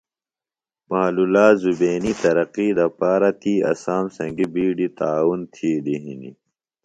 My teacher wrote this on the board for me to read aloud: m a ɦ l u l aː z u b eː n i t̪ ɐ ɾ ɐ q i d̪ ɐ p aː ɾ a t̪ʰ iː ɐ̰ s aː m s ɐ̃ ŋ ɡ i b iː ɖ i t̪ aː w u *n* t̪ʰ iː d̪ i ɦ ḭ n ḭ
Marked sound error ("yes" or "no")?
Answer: no